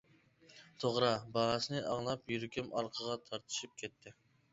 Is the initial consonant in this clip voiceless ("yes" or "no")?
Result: yes